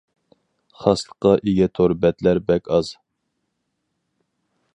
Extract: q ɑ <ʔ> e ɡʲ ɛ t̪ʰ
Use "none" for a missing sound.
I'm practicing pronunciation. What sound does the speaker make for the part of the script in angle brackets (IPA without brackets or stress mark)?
ʔ